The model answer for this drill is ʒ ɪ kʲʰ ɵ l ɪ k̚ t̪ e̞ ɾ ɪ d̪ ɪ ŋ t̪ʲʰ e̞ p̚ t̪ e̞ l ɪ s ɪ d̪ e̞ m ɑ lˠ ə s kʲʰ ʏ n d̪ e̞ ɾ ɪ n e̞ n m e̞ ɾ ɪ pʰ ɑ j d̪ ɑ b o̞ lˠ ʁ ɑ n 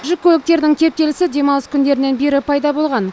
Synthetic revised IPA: ʒ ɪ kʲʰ ɵ l ɪ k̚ t̪ e̞ ɾ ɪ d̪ ɪ ŋ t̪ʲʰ e̞ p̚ t̪ e̞ l ɪ s ɪ d̪ e̞ m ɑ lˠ ə s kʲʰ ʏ n d̪ e̞ ɾ ɪ n e̞ n b e̞ ɾ ɪ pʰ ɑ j d̪ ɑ b o̞ lˠ ʁ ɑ n